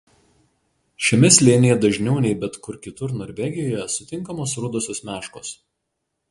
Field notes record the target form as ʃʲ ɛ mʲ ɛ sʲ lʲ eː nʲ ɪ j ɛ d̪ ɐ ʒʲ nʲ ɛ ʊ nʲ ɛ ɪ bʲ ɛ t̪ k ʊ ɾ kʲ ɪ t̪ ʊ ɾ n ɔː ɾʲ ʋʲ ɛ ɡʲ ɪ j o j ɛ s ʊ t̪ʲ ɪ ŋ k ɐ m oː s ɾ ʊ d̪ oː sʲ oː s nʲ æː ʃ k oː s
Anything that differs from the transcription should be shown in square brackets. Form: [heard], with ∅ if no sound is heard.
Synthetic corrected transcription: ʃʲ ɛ mʲ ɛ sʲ lʲ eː nʲ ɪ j ɛ d̪ ɐ ʒʲ nʲ ɛ ʊ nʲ ɛ ɪ bʲ ɛ t̪ k ʊ ɾ kʲ ɪ t̪ ʊ ɾ n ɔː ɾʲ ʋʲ ɛ ɡʲ ɪ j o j ɛ s ʊ t̪ʲ ɪ ŋ k ɐ m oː s ɾ ʊ d̪ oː sʲ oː s [mʲ] æː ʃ k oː s